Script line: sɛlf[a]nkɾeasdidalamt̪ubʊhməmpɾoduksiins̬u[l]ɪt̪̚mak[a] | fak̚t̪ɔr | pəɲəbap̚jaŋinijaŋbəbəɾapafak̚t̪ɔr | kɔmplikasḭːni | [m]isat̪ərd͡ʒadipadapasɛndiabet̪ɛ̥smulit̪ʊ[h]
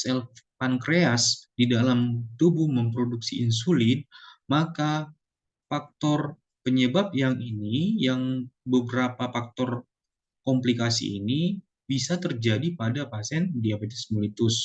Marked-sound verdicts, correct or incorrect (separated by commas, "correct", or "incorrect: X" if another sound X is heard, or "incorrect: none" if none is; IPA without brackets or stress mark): correct, correct, correct, incorrect: b, incorrect: s